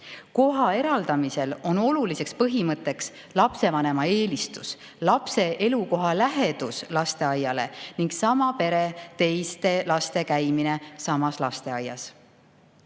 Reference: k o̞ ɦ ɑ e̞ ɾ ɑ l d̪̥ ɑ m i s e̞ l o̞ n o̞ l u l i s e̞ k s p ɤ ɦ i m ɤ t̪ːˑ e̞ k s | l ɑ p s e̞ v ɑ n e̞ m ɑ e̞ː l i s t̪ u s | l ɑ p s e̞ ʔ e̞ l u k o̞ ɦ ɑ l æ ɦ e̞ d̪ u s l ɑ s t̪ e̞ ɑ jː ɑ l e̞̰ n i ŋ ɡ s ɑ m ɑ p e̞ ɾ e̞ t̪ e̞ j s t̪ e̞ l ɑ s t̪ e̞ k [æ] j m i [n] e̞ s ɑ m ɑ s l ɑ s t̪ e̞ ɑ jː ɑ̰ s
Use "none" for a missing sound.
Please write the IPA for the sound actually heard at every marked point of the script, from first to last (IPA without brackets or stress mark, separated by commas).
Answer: æ, n